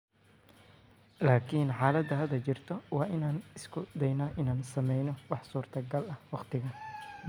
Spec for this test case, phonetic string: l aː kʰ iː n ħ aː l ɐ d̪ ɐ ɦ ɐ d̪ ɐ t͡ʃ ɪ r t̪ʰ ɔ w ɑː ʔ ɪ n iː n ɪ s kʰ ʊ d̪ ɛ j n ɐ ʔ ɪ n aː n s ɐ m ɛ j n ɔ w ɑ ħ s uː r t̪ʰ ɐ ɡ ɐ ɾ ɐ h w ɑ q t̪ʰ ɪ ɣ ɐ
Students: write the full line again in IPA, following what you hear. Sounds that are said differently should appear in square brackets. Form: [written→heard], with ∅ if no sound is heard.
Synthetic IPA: l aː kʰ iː n ħ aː l ɐ d̪ ɐ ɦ ɐ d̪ ɐ t͡ʃ ɪ r t̪ʰ ɔ w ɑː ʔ ɪ n [iː→aː] n ɪ s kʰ ʊ d̪ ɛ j n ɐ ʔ ɪ n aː n s ɐ m ɛ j n ɔ w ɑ ħ s uː r t̪ʰ ɐ ɡ ɐ [ɾ→l] ɐ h w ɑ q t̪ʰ ɪ ɣ ɐ